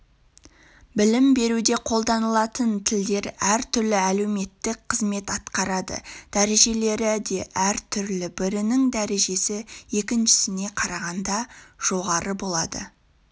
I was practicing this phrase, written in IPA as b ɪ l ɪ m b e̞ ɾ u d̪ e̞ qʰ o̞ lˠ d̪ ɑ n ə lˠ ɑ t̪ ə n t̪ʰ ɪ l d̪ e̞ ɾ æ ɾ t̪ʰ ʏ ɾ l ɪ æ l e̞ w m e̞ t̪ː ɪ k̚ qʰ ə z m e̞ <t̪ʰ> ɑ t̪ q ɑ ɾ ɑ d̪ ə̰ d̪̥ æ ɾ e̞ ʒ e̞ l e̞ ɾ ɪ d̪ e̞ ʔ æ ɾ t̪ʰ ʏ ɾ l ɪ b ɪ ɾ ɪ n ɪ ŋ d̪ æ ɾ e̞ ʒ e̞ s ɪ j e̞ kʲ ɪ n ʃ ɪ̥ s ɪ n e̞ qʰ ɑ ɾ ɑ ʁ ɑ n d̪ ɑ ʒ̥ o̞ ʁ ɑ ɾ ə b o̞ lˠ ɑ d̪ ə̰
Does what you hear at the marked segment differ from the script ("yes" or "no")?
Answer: yes